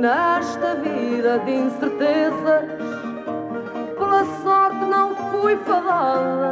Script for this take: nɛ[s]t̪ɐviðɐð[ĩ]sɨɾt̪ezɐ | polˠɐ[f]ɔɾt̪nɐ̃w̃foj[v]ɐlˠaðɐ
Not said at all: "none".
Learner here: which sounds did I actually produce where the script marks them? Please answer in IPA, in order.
ʃ, ĩ, s, f

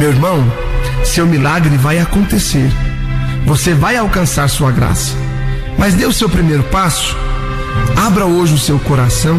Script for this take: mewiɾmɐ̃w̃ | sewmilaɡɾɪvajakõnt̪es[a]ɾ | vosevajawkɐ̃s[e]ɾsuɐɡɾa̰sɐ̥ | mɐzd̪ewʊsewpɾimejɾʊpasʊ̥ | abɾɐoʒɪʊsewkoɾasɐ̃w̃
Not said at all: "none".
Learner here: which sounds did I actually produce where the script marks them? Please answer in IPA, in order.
e, a

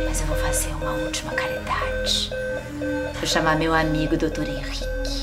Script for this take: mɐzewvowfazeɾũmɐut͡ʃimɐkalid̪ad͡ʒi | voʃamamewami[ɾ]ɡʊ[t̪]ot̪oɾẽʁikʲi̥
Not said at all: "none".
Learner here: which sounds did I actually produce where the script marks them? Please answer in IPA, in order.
none, d̪

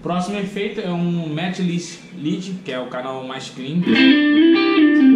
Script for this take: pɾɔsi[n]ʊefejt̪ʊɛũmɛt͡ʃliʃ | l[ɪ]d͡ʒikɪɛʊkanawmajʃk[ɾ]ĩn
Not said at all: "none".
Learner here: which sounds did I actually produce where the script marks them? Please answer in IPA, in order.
m, i, l

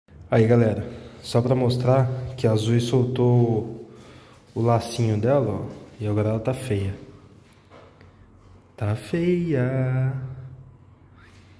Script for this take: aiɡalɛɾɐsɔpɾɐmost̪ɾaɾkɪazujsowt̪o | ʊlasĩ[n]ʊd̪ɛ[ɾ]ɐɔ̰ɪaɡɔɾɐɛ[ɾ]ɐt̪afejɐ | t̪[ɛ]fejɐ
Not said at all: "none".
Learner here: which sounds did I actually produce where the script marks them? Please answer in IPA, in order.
ɲ, l, l, a

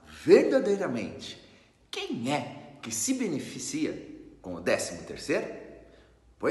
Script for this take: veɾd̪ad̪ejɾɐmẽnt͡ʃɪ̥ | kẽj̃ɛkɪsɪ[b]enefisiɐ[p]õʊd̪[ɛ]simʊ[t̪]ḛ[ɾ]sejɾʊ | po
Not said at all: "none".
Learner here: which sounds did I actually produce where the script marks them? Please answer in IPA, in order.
b, k, ɛ, t̪, ɾ

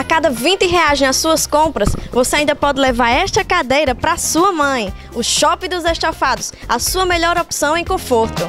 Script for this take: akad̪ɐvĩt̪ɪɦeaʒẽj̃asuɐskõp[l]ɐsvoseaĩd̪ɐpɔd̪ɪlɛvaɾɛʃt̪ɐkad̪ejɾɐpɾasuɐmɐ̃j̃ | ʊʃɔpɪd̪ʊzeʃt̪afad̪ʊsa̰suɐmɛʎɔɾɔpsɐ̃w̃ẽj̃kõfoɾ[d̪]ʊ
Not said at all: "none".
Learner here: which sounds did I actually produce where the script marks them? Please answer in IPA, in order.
ɾ, t̪

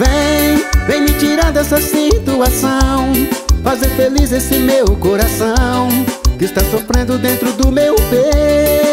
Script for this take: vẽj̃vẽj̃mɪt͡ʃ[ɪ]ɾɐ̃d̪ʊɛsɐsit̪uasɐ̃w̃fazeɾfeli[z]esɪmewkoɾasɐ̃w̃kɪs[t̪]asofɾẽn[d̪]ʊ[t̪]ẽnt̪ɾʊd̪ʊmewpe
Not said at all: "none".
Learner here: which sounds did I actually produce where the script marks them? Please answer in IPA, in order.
i, z, t̪, d̪, d̪

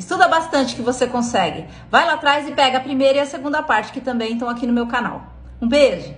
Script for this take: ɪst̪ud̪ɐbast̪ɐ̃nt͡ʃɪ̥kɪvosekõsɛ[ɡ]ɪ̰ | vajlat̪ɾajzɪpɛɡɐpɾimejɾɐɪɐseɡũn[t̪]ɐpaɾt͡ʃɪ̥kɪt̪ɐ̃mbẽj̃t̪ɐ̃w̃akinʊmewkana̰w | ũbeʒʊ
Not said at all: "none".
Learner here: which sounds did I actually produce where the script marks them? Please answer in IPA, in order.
ɡ, d̪

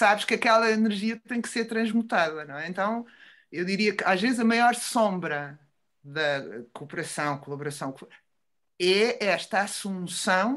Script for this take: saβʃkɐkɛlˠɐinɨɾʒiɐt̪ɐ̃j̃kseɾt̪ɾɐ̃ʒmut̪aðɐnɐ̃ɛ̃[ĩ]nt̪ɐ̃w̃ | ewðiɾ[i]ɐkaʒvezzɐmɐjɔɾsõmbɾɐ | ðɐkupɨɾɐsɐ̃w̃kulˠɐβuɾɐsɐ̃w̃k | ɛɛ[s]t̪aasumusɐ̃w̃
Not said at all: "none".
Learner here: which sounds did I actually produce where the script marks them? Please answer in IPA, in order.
ẽ, i, ʃ

